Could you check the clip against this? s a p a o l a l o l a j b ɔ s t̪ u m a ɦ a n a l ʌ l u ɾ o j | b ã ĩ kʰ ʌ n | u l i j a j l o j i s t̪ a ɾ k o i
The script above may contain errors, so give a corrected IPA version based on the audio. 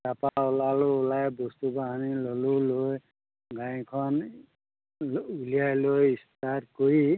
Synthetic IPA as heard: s a p a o l a l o l a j b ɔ s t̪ u b a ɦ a n i l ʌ l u l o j | ɡ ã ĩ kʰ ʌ n | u l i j a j l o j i s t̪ a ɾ k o i